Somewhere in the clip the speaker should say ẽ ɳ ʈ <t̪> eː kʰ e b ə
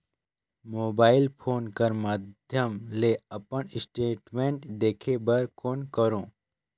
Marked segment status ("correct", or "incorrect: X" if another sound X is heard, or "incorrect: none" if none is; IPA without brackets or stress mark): incorrect: d̪